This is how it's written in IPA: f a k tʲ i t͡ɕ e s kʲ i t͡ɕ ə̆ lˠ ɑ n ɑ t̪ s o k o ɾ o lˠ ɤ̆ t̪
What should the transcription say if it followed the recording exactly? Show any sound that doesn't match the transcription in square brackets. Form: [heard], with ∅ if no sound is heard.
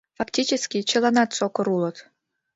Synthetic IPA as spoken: f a k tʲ i t͡ɕ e s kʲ i t͡ɕ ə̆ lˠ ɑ n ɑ t̪ s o k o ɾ [u] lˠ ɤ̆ t̪

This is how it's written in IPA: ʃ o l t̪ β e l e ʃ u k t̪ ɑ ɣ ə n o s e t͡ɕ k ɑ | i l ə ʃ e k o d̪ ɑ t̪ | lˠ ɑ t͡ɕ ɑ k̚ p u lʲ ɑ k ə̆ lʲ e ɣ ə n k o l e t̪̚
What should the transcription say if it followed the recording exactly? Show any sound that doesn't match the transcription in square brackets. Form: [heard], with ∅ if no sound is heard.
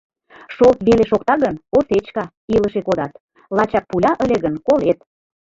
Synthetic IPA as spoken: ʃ o l t̪ β e l e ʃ [o] k t̪ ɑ ɣ ə n o s e t͡ɕ k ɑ | i l ə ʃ e k o d̪ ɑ t̪ | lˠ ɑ t͡ɕ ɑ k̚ p u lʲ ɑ [ʔ] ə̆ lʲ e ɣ ə n k o l e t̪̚

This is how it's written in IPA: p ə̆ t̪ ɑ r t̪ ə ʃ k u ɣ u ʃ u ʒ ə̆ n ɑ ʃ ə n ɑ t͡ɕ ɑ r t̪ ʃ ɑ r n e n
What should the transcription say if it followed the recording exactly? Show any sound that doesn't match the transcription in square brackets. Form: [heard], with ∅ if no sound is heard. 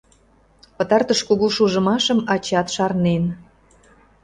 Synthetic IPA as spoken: p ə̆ t̪ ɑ r t̪ ə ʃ k u ɣ u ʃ u ʒ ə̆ [m] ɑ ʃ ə [m] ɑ t͡ɕ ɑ [∅] t̪ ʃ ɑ r n e n

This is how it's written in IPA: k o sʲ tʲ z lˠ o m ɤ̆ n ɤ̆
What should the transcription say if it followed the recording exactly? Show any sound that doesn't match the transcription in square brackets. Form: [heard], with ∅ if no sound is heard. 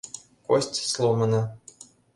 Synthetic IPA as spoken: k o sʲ tʲ [s] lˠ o m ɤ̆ n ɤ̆

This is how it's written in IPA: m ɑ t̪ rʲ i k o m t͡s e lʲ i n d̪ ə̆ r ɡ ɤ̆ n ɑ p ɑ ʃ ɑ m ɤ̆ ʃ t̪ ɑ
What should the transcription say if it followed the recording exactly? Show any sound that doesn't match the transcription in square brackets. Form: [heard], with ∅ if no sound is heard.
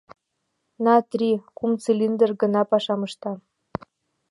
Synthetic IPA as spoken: [n] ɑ t̪ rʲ i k [u] m t͡s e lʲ i n d̪ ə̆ r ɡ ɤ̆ n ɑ p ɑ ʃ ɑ m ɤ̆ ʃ t̪ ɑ

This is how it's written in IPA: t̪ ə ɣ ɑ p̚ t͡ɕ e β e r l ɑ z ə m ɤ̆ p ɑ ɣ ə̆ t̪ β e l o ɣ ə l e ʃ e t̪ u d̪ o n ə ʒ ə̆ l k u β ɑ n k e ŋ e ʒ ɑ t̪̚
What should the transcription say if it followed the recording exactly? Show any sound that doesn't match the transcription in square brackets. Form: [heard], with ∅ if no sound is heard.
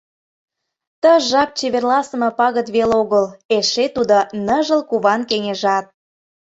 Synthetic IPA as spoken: t̪ ə [ʒ] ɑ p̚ t͡ɕ e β e r l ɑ [s] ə m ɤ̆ p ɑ ɣ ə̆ t̪ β e l o ɣ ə l e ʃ e t̪ u d̪ o n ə ʒ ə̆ l k u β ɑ n k e ŋ e ʒ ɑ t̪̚

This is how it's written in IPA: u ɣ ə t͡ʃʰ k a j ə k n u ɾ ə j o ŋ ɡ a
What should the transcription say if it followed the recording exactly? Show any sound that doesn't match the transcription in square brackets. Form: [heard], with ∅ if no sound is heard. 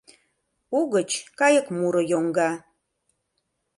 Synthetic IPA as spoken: u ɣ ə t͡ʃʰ k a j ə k [m] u ɾ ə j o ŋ ɡ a

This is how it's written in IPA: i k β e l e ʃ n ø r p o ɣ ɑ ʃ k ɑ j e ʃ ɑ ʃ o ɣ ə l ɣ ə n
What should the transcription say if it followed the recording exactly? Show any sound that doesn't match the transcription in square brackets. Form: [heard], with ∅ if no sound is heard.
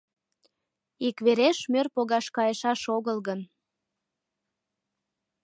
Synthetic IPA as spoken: i k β e [ɾ] e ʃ [m] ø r p o ɣ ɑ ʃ k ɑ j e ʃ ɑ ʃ o ɣ ə l ɣ ə n

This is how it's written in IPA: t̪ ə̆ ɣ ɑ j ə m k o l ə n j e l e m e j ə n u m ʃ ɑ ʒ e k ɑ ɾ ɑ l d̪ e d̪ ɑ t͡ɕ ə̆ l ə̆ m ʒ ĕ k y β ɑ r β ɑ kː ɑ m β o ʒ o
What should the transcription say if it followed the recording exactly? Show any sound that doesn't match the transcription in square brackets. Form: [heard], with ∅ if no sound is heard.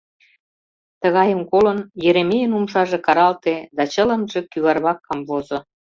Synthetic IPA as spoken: t̪ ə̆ ɣ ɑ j ə m k o l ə n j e [ɾ] e m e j ə n u m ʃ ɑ ʒ e k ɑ ɾ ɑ l [t̪] e d̪ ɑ t͡ɕ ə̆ l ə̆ m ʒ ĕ k y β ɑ r β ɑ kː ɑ m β o [z] o

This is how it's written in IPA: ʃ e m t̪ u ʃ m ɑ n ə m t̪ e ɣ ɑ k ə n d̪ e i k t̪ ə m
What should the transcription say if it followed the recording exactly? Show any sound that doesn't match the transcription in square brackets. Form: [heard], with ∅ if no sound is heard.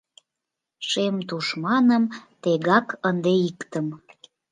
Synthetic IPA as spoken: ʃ e m t̪ u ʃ m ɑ n ə m t̪ e ɣ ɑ k ə n d̪ e i k t̪ ə m

